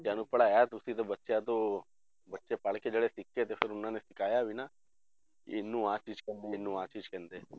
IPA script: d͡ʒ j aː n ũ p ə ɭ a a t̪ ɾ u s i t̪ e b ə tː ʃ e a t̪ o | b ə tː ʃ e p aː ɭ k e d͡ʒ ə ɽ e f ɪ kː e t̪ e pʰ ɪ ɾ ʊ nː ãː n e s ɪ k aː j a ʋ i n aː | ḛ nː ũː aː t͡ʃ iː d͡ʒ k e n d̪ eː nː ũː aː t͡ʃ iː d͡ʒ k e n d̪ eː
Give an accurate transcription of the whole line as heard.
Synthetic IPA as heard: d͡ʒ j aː n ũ p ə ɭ a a t̪ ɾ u s i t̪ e b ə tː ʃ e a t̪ o | b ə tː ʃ e p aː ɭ k e d͡ʒ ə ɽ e s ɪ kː e t̪ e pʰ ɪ ɾ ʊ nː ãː n e s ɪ k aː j a ʋ i n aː | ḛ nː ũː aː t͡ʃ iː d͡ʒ k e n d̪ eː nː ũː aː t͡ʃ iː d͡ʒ k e n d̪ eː

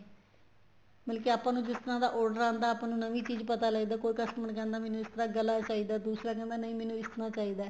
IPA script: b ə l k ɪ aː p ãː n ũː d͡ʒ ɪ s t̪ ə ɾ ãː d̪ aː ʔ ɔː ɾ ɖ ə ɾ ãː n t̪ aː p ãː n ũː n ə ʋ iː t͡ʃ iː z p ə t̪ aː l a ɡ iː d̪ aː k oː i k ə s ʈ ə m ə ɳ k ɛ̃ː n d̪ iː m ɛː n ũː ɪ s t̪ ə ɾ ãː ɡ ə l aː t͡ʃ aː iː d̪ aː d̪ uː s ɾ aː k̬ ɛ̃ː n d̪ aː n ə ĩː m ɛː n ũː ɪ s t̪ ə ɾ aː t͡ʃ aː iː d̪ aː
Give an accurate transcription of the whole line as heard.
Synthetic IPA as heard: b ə l k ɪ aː p ãː n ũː d͡ʒ ɪ s t̪ ə ɾ ãː d̪ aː ʔ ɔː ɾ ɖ ə ɾ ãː n d̪ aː p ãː n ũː n ə ʋ iː t͡ʃ iː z p ə t̪ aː l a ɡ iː d̪ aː k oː i k ə s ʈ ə m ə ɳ k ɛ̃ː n d̪ aː m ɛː n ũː ɪ s t̪ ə ɾ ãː ɡ ə l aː t͡ʃ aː iː d̪ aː d̪ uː s ɾ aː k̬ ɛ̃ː n d̪ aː n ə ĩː m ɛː n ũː ɪ s t̪ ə ɾ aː t͡ʃ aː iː d̪ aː

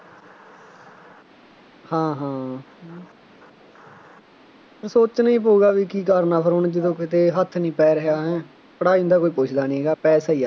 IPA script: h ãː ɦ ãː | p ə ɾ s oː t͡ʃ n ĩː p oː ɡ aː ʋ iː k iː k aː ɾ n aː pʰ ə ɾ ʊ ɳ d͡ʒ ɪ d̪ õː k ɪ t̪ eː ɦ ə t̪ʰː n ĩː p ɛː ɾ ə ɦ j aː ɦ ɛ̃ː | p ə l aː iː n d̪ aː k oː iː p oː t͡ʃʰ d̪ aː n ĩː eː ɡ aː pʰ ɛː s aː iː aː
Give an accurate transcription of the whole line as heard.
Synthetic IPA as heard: h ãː ɦ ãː | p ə ɾ s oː t͡ʃ n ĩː p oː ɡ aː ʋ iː k iː k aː ɾ n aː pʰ ə ɾ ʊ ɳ d͡ʒ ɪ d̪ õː k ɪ t̪ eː ɦ ə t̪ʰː n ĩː p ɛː ɾ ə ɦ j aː ɦ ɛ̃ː | p ə ɽ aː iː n d̪ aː k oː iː p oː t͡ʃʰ d̪ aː n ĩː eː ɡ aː p ɛː s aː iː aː

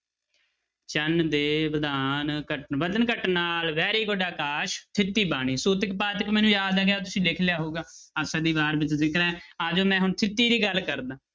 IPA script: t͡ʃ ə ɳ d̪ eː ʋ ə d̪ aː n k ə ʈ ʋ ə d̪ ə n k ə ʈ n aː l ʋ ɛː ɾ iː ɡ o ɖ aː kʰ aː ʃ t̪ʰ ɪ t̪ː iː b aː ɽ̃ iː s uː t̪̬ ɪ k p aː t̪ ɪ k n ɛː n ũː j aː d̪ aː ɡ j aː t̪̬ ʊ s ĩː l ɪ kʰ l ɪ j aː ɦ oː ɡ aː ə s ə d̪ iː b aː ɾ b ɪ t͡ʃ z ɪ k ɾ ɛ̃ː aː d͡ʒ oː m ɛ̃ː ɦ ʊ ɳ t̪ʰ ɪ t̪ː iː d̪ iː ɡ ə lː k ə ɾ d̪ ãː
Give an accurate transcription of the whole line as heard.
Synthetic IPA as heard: t͡ʃ ə n d̪ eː ʋ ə d̪ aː n k ə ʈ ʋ ə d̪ ə n k ə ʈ n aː l ʋ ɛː ɾ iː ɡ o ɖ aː k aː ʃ t̪ʰ ɪ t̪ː iː b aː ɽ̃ iː s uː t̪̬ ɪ k p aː t̪ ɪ k m ɛː n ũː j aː d̪ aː ɡ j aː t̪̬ ʊ s ĩː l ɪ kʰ l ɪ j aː ɦ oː ɡ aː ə s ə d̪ iː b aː ɾ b ɪ t͡ʃ z ɪ k ɾ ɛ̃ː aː d͡ʒ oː m ɛ̃ː ɦ ʊ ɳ t̪ʰ ɪ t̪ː iː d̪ iː ɡ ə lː k ə ɾ d̪ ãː

